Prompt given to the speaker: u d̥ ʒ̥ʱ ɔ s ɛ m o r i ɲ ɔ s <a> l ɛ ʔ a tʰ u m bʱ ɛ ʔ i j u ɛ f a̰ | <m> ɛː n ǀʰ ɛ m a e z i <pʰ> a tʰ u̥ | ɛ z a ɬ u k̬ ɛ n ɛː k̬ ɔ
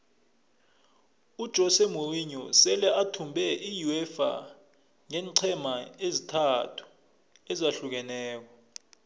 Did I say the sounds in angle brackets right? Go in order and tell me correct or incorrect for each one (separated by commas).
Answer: incorrect, incorrect, incorrect